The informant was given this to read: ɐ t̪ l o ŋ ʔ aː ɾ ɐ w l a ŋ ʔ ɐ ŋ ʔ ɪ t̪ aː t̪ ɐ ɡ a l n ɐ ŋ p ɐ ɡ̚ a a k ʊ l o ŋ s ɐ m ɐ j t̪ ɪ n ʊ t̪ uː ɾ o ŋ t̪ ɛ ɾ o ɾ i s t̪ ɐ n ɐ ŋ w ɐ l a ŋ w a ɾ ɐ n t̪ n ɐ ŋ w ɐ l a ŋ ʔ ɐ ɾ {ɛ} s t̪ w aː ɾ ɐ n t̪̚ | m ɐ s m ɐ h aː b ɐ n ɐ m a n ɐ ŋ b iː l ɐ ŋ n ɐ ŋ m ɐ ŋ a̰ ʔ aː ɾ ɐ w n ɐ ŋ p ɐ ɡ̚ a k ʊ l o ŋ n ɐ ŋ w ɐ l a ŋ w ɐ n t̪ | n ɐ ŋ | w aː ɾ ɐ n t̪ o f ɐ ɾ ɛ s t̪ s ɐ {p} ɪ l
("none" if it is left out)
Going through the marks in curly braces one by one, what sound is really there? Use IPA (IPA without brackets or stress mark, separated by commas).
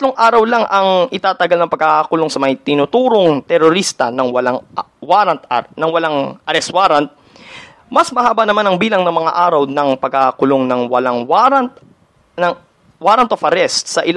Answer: ɛ, ʔ